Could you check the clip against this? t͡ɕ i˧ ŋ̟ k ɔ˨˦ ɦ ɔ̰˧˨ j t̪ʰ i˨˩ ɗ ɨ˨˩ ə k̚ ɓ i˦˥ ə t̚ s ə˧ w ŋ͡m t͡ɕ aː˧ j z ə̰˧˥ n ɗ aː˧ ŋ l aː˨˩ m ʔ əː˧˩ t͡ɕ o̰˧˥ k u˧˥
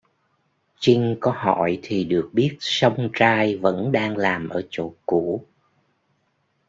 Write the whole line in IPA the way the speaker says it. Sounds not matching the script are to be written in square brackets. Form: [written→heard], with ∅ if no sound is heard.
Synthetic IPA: t͡ɕ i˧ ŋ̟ k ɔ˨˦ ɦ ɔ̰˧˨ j t̪ʰ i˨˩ ɗ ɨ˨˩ ə k̚ ɓ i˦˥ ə t̚ s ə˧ w ŋ͡m t͡ɕ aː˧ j [z→v] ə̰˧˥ n ɗ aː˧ ŋ l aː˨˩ m ʔ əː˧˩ t͡ɕ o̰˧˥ k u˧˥